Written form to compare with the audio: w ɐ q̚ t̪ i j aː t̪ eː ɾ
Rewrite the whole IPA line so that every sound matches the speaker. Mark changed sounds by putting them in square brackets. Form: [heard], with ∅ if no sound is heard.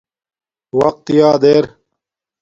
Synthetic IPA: w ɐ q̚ t̪ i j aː [d̪] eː ɾ